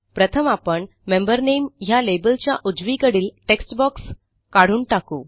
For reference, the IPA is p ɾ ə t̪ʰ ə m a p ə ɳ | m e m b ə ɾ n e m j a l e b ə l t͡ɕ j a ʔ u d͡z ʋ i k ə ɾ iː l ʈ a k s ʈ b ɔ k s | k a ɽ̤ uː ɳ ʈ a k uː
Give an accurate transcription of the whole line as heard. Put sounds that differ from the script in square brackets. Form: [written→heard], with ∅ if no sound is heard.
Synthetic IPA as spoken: p ɾ ə t̪ʰ ə m a p ə ɳ | m e m b ə ɾ n e m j a l e b ə l t͡ɕ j a ʔ u d͡z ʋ i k ə [ɾ→ɽ] iː l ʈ [a→e] k s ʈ b ɔ k s | k a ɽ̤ uː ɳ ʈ a k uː